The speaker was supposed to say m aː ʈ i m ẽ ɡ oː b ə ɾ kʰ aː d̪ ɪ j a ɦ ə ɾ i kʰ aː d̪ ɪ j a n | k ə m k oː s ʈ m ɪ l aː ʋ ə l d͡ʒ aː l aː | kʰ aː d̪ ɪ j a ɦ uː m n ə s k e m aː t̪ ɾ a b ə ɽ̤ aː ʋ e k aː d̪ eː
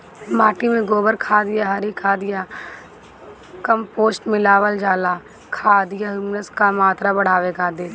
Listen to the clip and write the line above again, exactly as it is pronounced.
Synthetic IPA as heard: m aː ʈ i m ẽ ɡ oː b ə ɾ kʰ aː d̪ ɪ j a ɦ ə ɾ i kʰ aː d̪ ɪ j a | k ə m p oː s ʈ m ɪ l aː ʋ ə l d͡ʒ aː l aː | kʰ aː d̪ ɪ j a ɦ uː m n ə s k a m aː t̪ ɾ a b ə ɽ̤ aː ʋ e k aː d̪ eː